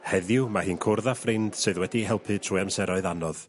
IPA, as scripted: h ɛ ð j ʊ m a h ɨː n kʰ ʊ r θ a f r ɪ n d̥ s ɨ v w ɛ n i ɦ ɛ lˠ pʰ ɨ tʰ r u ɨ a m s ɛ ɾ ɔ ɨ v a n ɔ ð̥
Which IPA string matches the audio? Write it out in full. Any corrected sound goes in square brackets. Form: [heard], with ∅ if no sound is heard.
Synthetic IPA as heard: h ɛ ð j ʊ m a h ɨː n kʰ ʊ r [ð] a f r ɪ n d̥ s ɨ [ð] w ɛ [d] i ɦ ɛ lˠ pʰ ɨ tʰ r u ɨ a m s ɛ ɾ ɔ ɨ [ð] a n ɔ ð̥